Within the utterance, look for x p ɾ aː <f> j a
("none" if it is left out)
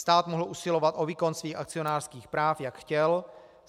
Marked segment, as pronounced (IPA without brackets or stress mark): f